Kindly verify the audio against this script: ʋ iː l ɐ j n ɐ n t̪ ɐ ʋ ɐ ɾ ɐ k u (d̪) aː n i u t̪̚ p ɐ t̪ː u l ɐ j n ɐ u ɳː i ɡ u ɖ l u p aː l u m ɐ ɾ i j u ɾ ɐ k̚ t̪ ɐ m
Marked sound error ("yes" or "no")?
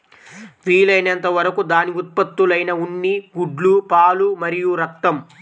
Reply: no